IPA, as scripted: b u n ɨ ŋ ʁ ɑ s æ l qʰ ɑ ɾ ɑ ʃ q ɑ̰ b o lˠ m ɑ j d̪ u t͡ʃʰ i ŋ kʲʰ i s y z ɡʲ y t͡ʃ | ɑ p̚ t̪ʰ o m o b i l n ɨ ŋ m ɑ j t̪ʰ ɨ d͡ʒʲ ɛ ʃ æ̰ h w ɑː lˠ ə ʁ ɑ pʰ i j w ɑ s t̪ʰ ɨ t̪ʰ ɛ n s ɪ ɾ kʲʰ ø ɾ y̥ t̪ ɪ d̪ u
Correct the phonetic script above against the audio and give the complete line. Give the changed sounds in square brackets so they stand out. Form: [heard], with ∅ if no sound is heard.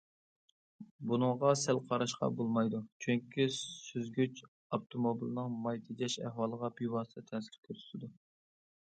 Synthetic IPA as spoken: b u n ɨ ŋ ʁ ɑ s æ l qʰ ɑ ɾ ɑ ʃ q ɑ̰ b o lˠ m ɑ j d̪ u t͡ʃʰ [y] ŋ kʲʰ i s y z ɡʲ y t͡ʃ | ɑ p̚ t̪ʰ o m o b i l n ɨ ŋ m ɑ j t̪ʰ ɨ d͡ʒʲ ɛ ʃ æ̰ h w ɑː lˠ ə ʁ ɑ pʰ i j w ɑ s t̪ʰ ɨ t̪ʰ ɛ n s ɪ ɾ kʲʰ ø ɾ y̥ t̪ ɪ d̪ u